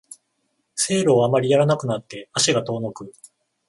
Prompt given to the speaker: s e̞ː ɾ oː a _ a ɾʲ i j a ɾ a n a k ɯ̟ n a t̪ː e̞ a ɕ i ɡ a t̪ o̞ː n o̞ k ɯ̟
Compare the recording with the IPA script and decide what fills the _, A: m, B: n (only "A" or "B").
A